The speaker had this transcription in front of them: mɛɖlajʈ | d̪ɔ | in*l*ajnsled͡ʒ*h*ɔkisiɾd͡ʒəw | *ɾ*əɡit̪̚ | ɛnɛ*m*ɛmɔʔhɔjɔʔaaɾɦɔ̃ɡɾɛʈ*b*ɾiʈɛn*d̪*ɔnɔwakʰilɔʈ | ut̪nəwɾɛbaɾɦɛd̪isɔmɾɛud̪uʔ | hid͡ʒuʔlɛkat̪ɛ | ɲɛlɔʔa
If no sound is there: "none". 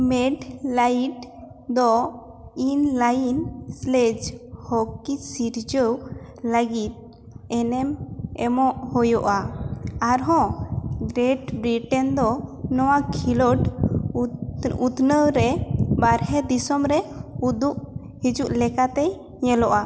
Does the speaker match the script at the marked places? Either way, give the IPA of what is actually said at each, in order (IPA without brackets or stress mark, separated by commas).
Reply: l, h, l, m, b, d̪